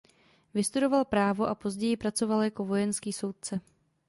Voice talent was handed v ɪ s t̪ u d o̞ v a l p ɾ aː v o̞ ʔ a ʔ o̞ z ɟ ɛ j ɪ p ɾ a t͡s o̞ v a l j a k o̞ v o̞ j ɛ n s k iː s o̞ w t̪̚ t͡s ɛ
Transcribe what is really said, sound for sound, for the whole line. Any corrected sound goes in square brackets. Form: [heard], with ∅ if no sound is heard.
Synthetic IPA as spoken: v ɪ s t̪ u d o̞ v a l p ɾ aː v o̞ ʔ a [p] o̞ z ɟ ɛ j ɪ p ɾ a t͡s o̞ v a l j a k o̞ v o̞ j ɛ n s k iː s o̞ w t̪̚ t͡s ɛ